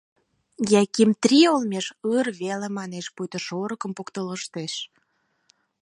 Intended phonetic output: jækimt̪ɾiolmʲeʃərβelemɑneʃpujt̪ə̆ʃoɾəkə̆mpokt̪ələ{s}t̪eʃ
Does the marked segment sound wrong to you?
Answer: yes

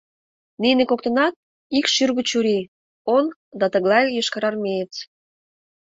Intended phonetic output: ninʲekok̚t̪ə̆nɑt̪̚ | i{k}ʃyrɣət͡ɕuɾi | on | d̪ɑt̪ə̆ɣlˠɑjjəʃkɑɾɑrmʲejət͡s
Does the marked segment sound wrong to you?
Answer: no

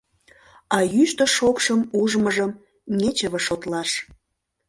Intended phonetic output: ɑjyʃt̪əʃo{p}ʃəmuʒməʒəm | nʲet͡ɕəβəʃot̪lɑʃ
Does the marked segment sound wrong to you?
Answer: yes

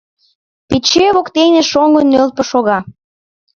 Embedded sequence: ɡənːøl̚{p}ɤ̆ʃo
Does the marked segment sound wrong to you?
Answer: no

